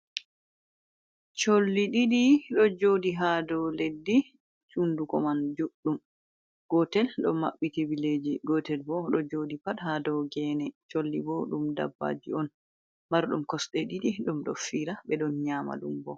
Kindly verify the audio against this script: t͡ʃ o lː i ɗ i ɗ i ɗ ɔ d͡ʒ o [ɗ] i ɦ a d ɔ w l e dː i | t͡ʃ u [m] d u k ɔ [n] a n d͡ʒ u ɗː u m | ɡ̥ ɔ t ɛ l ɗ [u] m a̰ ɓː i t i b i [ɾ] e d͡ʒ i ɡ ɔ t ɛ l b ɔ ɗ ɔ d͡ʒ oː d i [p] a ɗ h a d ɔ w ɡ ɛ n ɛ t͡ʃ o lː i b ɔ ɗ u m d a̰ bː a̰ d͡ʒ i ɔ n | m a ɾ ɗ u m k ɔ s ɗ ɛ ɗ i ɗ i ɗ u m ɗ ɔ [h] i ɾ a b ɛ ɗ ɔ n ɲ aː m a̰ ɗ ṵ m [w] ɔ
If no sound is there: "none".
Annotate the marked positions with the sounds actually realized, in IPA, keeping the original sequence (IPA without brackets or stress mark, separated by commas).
d, n, m, ɔ, l, p, f, b